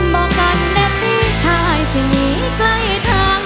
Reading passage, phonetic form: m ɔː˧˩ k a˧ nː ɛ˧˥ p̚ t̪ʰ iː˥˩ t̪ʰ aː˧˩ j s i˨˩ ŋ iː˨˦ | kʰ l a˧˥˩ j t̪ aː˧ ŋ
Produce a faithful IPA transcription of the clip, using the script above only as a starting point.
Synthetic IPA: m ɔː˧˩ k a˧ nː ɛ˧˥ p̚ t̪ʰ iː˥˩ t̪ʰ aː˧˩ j s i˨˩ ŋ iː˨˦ | k l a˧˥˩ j t̪ʰ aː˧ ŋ

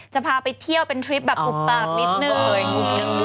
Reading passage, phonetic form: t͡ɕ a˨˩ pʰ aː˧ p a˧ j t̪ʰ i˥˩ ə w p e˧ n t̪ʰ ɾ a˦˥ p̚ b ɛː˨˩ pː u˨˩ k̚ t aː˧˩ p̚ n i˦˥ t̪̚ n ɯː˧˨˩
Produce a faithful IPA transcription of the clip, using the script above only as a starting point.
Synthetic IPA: t͡ɕ a˨˩ pʰ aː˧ p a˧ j t̪ʰ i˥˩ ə w p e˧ n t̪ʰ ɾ i˦˥ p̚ b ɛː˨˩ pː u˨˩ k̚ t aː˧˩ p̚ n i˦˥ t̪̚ n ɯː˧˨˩

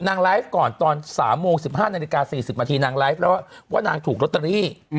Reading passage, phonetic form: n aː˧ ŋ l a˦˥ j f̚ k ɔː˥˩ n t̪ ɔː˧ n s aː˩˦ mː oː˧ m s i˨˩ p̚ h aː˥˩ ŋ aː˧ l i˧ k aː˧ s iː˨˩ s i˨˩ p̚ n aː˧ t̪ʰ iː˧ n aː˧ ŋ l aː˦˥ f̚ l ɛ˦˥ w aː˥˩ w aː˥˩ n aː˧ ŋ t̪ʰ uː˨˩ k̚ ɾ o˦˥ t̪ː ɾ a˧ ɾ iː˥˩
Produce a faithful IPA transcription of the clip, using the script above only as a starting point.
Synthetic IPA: n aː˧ ŋ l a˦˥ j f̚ k ɔː˨˩ n t̪ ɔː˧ n s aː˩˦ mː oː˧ ŋ s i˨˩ p̚ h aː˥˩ n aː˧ l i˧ k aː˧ s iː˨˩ s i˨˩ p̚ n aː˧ t̪ʰ iː˧ n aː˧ ŋ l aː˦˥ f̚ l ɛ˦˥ w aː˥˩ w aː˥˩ n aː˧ ŋ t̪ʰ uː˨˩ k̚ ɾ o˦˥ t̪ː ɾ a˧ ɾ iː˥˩

